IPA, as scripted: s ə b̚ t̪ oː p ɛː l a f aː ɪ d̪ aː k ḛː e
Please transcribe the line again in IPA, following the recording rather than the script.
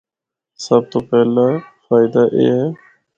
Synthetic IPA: s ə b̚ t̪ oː p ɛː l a f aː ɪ d̪ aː ʔ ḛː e

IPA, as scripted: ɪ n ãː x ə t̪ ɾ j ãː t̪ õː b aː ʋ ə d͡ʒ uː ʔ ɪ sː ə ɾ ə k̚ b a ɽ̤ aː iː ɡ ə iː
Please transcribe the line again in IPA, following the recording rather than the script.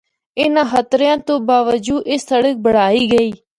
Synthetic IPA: ɪ n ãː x ə t̪ ɾ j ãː t̪ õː b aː ʋ ə d͡ʒ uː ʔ ɪ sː ə ɽ ə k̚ b ə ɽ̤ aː iː ɡ ə iː

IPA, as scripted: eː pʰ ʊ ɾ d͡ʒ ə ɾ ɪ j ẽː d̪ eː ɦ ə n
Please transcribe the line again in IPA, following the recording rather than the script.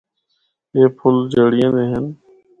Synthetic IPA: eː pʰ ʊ l d͡ʒ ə ɽ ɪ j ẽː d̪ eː ɦ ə n

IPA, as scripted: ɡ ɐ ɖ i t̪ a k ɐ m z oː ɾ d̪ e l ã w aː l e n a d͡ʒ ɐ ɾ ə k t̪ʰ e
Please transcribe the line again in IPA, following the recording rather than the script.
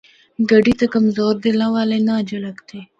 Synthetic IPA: ɡ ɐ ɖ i t̪ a k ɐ m z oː ɾ d̪ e l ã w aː l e n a d͡ʒ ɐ l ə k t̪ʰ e

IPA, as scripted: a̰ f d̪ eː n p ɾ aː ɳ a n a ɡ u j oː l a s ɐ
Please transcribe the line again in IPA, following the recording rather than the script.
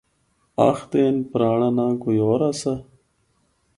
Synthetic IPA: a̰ x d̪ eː n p ɾ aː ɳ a n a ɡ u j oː ɾ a s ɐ

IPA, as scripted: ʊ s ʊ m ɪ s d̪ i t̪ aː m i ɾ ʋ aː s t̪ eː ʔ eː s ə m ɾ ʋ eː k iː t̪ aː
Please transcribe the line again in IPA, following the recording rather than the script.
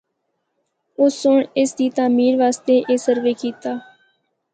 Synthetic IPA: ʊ s ʊ ɳ ɪ s d̪ iː t̪ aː m iː ɾ ʋ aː s t̪ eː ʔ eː s ə ɾ ʋ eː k iː t̪ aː

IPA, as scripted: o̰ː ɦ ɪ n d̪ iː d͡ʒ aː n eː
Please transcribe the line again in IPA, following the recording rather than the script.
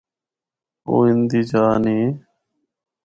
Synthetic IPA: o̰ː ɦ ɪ n d̪ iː d͡ʒ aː n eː

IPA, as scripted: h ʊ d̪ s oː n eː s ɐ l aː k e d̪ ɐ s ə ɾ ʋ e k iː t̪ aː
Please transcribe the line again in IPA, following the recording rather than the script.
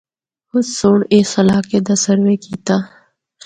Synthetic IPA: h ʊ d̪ s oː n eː s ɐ l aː k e d̪ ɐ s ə ɾ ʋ e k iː t̪ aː

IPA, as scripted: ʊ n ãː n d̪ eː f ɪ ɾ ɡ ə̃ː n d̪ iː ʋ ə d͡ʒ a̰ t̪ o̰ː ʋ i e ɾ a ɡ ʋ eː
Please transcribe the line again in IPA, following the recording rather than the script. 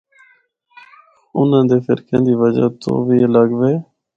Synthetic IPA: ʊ n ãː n d̪ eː f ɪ ɾ k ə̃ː n d̪ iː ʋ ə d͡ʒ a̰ t̪ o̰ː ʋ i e l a ɡ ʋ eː

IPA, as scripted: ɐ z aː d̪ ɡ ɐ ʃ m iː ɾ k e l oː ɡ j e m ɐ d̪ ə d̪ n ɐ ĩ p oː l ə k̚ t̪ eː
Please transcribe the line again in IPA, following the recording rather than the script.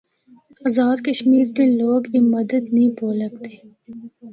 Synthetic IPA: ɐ z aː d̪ k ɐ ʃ m iː ɾ k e l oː ɡ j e m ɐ d̪ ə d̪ n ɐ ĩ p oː l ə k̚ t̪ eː

